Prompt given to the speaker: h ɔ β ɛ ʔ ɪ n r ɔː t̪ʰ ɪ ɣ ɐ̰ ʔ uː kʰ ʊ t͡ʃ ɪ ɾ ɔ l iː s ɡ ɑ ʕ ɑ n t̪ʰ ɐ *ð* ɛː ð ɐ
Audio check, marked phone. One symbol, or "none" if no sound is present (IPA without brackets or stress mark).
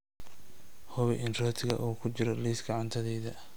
ð